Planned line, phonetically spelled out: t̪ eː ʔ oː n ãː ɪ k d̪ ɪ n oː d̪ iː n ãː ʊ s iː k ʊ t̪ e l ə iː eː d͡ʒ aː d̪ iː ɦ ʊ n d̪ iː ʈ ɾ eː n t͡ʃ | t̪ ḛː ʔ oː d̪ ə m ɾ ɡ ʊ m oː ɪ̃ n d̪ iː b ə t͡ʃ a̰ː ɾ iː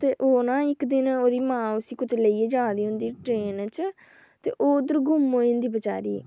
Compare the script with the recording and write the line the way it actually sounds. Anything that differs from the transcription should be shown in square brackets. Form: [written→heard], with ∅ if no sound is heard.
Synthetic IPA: t̪ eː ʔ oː n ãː ɪ k d̪ ɪ n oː d̪ iː [n→m] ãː ʊ s iː k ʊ t̪ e l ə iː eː d͡ʒ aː d̪ iː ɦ ʊ n d̪ iː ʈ ɾ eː n t͡ʃ | t̪ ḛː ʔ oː d̪ ə [m→∅] ɾ ɡ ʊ m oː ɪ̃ n d̪ iː b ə t͡ʃ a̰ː ɾ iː